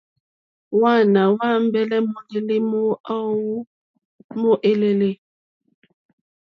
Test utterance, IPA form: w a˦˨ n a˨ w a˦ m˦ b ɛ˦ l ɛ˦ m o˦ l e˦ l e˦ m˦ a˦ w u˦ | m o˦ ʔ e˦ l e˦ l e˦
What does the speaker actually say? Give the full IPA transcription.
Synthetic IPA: w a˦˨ n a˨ w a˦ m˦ b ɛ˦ l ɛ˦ m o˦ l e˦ l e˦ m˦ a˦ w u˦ | m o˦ ʔ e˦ l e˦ l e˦